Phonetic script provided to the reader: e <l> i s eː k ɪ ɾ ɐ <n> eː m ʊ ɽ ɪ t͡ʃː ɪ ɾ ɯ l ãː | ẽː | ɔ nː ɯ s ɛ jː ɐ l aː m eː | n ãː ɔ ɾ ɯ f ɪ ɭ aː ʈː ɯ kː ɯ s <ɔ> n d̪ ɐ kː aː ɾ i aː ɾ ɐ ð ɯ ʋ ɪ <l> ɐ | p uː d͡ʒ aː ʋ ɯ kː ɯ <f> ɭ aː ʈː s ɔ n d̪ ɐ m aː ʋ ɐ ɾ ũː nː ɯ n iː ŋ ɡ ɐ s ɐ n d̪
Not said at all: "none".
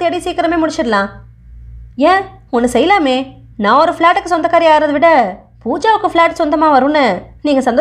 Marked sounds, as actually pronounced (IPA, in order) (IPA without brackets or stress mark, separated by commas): ɽ, m, ɔ, ɽ, f